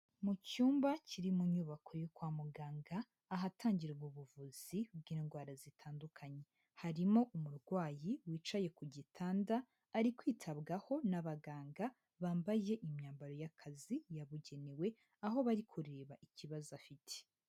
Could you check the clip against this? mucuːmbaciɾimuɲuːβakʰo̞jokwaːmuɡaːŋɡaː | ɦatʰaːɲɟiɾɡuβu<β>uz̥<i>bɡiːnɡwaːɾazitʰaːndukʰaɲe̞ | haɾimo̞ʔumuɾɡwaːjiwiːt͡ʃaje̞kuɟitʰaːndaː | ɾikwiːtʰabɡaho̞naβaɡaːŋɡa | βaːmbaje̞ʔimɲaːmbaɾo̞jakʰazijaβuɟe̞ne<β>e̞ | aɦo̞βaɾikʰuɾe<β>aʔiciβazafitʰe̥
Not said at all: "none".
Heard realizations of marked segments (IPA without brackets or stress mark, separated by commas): v, i, w, β